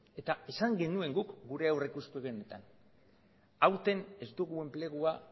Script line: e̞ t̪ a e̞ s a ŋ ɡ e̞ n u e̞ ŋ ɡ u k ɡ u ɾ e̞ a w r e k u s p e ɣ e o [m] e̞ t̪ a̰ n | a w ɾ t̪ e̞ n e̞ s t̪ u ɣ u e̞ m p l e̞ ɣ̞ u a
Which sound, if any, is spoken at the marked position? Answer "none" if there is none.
n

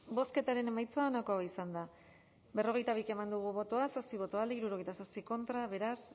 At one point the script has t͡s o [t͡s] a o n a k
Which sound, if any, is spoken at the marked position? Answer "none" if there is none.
none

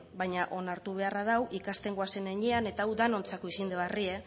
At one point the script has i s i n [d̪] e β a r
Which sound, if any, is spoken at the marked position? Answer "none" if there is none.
d̪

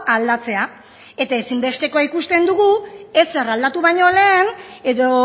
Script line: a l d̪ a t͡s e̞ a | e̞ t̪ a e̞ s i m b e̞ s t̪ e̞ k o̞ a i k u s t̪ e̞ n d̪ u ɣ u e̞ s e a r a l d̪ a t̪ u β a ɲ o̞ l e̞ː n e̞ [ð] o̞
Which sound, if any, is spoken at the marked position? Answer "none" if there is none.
ð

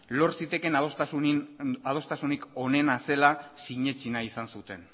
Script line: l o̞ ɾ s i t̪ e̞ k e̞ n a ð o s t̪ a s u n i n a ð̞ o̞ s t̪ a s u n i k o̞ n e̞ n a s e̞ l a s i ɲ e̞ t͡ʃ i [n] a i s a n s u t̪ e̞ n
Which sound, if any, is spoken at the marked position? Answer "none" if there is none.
n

